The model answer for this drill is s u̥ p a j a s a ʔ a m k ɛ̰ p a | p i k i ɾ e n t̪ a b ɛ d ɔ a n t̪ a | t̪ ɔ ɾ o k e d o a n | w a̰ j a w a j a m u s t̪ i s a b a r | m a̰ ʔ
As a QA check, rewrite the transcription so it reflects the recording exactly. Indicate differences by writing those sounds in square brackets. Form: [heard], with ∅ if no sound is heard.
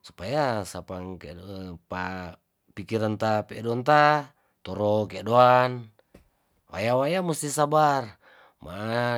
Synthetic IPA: s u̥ p a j a s a [p] a [ŋ] k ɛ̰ p a | p i k i ɾ [a] n t̪ a [p] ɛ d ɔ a n t̪ a | t̪ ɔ ɾ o k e d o a n | w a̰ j a w a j a m u s t̪ i s a b a r | m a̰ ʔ